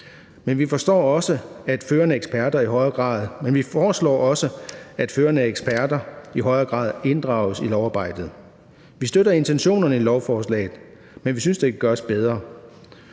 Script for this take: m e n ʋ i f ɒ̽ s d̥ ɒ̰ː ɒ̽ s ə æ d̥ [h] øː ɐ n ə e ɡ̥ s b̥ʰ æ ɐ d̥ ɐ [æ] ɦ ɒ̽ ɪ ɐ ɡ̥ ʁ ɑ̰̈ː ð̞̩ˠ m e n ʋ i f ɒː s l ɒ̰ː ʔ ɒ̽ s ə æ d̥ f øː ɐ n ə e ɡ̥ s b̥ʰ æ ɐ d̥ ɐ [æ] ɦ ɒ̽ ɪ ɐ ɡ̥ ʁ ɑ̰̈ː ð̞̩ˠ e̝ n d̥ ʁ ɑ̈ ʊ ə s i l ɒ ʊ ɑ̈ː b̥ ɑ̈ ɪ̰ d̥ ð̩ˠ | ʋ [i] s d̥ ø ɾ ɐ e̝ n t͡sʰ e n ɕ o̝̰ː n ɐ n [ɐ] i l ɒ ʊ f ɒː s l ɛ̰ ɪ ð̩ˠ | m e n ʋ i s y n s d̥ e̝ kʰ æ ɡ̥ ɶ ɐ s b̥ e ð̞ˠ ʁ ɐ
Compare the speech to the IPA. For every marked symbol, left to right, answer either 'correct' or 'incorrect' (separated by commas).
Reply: incorrect, incorrect, incorrect, correct, incorrect